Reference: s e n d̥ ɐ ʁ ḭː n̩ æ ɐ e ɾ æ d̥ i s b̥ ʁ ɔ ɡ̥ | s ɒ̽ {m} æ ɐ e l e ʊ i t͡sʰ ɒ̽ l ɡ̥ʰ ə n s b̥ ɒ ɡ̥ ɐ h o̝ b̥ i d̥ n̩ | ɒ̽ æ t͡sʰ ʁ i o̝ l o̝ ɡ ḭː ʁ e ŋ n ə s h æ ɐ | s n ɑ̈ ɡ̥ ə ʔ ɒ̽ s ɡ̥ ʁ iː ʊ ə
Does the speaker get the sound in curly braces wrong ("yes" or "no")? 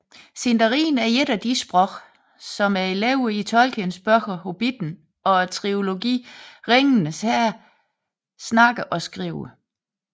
no